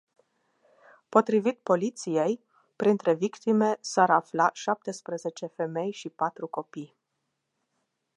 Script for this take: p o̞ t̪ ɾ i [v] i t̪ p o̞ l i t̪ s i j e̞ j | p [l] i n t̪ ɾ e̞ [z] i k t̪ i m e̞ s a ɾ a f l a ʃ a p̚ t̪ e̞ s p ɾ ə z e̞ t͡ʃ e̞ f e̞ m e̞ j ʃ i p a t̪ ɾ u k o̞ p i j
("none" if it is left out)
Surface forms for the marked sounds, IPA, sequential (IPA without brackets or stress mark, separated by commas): v, ɾ, v